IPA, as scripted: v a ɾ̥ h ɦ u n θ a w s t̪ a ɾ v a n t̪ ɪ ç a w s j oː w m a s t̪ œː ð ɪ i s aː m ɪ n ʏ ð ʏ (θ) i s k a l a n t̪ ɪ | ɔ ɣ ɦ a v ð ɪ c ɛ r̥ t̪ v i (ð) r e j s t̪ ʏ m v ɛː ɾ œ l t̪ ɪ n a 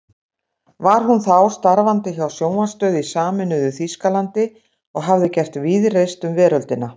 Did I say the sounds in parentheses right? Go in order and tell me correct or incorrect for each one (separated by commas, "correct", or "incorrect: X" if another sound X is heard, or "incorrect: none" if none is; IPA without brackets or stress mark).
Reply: correct, correct